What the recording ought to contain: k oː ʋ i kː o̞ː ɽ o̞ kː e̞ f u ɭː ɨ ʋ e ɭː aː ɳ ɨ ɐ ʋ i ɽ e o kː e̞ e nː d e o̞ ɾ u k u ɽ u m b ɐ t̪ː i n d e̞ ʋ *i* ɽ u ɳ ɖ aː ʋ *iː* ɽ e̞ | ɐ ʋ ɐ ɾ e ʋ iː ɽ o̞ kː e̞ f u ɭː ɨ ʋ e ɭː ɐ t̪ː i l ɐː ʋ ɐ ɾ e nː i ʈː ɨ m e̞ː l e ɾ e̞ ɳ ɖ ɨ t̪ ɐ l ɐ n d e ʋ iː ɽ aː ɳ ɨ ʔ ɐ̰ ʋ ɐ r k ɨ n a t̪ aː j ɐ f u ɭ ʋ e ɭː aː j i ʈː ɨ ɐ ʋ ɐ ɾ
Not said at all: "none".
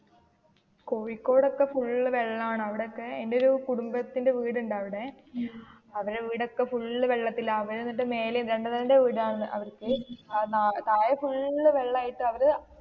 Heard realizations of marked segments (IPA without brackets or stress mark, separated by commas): iː, i